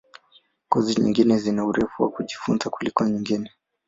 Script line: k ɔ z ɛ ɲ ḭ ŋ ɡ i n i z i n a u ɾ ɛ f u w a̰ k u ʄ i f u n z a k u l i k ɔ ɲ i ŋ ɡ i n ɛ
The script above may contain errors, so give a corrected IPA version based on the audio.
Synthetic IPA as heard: k ɔ z i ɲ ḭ ŋ ɡ i n ɛ z i n a u ɾ ɛ f u w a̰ k u ʄ i f u n z a k u l i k ɔ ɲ i ŋ ɡ i n ɛ